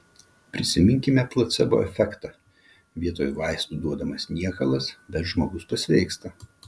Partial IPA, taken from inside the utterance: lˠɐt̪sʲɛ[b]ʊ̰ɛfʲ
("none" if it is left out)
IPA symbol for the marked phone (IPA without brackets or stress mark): b